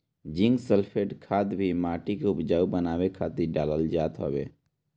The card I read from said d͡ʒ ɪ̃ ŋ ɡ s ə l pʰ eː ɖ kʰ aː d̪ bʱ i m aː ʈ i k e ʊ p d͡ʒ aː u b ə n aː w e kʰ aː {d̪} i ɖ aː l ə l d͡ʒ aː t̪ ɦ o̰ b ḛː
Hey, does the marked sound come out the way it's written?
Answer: no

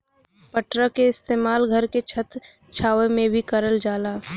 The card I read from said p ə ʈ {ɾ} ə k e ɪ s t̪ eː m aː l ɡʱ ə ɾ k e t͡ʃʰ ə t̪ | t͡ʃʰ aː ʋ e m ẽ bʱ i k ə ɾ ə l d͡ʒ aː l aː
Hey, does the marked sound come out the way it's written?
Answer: yes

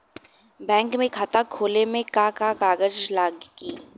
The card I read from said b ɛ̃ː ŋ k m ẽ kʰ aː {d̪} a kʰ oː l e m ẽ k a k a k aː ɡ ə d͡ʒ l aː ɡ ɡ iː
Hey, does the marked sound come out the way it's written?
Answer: no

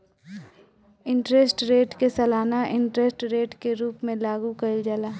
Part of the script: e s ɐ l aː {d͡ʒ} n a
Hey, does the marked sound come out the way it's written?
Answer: no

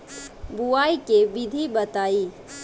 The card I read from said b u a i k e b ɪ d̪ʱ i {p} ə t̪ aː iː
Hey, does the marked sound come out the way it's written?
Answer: no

